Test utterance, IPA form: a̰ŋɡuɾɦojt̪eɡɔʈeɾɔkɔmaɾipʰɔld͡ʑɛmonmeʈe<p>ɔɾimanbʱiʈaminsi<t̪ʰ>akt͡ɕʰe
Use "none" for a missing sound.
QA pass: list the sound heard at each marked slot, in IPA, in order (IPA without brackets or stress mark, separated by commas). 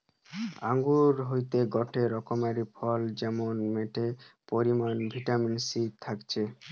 p, t̪ʰ